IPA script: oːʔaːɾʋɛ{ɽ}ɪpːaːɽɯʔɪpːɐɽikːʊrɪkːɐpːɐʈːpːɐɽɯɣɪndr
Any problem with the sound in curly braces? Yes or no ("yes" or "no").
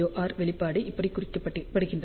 yes